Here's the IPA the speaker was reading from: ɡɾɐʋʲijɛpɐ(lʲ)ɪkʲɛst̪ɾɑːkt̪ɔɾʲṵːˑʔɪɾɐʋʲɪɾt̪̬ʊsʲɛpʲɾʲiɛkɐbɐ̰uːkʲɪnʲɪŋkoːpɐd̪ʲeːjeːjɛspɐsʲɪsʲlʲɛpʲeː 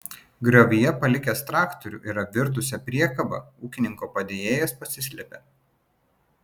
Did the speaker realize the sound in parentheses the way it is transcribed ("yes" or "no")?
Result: yes